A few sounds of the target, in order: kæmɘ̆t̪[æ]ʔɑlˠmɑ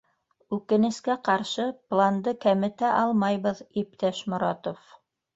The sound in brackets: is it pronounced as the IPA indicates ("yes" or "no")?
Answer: yes